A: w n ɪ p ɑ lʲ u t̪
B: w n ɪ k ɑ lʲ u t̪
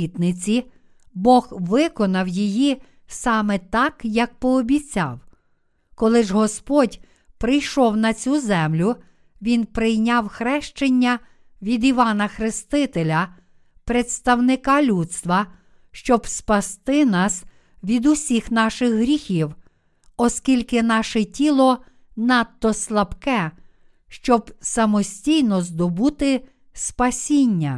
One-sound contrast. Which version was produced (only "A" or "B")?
B